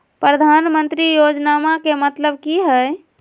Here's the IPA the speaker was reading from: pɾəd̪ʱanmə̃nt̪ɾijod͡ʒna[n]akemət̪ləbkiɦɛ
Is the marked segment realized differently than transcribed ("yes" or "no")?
yes